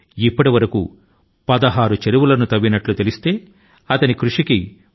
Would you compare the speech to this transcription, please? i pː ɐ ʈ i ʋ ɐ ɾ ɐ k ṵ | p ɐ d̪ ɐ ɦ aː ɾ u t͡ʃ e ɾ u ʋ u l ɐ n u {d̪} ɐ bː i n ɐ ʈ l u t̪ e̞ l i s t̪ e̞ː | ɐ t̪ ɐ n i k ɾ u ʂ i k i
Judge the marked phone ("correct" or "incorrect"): incorrect